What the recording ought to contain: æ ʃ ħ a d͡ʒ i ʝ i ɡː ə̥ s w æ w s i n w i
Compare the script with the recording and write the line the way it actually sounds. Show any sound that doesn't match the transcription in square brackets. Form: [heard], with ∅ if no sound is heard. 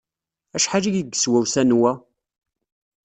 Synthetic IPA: æ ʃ ħ a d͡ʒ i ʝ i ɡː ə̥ s w æ w s [æ] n w [æ]